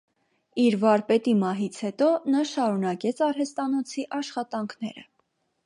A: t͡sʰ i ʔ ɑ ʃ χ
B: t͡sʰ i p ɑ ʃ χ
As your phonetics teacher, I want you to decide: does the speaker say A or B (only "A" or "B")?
A